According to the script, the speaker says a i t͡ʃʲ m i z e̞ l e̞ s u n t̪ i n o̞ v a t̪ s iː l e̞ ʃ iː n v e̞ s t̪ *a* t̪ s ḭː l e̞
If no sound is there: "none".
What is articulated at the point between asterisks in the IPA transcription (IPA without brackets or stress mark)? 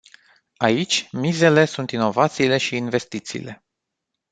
i